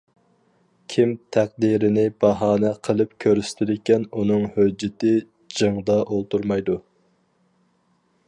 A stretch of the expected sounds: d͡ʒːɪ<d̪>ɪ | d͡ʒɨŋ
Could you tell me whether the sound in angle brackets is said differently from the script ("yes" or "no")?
yes